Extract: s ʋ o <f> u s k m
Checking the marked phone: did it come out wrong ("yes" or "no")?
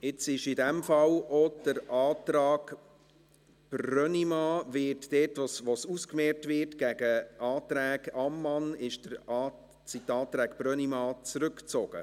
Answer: yes